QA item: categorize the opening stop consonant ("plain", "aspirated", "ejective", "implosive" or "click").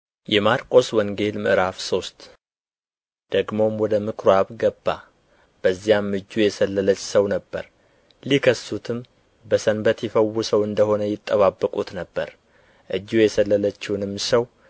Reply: ejective